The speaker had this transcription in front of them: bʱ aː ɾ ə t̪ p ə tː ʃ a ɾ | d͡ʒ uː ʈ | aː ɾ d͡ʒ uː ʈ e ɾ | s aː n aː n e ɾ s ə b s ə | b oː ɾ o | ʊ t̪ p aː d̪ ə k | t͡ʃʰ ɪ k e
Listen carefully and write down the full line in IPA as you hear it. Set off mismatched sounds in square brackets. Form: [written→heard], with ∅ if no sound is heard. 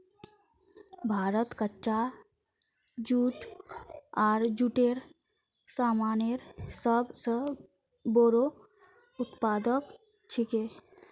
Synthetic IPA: bʱ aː ɾ ə t̪ [p→k] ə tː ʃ a [ɾ→∅] | d͡ʒ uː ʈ | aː ɾ d͡ʒ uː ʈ e ɾ | s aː [n→m] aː n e ɾ s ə b s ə | b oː ɾ o | ʊ t̪ p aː d̪ ə k | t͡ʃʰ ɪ k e